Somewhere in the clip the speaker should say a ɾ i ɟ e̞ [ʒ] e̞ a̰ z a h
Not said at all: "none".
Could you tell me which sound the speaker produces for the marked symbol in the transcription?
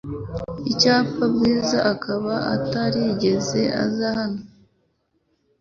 z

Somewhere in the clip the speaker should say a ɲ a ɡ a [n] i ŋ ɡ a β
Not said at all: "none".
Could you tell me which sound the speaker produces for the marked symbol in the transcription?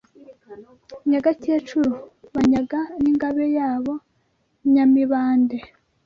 n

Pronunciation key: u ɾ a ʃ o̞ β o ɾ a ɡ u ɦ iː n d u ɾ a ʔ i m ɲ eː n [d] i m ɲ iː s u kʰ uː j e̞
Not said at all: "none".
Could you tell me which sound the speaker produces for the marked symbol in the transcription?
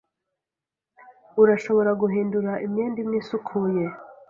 d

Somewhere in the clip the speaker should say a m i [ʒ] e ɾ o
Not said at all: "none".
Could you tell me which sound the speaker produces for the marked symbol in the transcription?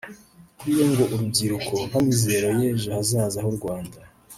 z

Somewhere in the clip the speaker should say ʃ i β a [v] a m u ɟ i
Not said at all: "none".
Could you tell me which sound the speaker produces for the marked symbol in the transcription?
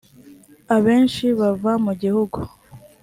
v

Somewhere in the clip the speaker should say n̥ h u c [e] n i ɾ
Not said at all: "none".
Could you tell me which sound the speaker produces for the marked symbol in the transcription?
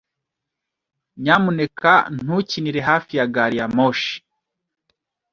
i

